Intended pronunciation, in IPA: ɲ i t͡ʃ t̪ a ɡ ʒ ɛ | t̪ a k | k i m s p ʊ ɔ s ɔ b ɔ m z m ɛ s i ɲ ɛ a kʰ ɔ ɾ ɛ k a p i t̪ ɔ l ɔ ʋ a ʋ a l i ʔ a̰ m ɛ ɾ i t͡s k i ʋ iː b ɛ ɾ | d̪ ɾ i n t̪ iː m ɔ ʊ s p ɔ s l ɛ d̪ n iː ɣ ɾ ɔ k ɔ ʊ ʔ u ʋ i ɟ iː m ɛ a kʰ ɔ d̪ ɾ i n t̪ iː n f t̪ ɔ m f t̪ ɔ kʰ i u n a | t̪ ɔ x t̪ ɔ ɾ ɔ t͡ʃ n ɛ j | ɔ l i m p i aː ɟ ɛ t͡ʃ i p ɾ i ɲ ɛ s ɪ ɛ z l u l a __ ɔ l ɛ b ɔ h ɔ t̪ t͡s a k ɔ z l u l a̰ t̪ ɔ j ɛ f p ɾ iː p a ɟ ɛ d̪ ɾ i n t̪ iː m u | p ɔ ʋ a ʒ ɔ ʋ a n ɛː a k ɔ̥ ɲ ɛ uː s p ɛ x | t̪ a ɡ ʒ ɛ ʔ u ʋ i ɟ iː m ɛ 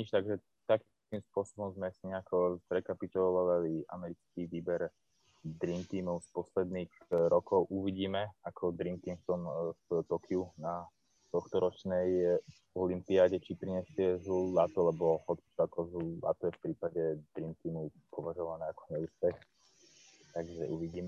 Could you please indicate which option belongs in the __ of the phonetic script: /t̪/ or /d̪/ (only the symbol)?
t̪